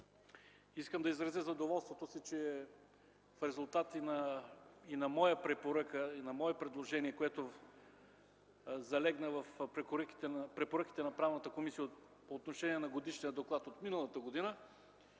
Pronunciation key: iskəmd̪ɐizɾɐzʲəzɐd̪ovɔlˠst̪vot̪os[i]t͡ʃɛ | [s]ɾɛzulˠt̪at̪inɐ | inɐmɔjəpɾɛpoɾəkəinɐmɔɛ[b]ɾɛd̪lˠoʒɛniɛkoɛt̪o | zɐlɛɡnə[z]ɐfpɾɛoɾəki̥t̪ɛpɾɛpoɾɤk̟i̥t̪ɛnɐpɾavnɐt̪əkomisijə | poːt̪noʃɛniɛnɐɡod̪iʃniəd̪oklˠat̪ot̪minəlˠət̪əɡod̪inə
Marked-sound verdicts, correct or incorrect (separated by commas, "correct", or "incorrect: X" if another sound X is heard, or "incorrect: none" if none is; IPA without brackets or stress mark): correct, incorrect: f, incorrect: p, incorrect: v